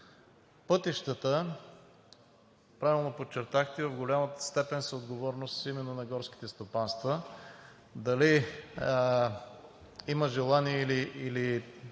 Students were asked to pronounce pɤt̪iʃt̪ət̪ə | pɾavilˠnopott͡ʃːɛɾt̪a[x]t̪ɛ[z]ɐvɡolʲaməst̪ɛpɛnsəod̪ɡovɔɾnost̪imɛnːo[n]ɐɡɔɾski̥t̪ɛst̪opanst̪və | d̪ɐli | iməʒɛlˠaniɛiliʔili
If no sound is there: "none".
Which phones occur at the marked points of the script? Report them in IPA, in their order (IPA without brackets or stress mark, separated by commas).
x, v, n